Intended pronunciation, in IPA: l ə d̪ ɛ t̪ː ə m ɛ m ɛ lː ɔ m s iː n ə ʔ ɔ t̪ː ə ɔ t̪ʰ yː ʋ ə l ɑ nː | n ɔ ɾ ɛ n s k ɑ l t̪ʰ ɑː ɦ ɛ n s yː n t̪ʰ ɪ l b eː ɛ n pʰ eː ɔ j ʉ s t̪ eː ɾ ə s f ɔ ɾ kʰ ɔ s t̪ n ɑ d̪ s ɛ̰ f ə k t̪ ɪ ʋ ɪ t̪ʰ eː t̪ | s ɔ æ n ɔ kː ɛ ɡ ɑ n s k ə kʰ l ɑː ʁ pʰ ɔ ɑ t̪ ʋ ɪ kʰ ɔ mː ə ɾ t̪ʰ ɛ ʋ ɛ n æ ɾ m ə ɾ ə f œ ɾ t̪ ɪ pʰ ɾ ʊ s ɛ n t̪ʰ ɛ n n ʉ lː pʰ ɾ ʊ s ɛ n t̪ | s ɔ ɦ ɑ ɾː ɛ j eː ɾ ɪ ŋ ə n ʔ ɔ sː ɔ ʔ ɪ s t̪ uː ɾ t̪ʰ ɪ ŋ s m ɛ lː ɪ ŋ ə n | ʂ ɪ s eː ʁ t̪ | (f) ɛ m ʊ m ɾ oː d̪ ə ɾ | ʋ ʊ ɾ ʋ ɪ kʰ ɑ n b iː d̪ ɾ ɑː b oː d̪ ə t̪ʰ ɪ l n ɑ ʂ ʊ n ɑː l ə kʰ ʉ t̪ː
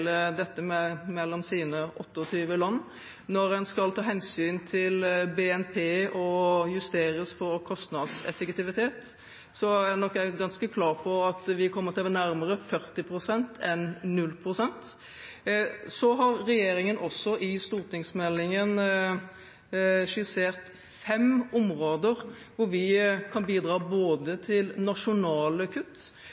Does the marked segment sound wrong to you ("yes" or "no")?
no